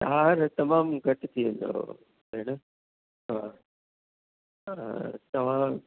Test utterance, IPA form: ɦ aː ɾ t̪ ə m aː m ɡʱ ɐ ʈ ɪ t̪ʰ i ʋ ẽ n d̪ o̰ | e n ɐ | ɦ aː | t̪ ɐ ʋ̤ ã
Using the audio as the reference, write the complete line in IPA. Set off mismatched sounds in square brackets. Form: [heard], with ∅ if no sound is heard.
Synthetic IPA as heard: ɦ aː ɾ t̪ [ɐ] m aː m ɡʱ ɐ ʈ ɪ t̪ʰ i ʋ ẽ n d̪ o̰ | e n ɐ | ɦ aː | t̪ ɐ ʋ̤ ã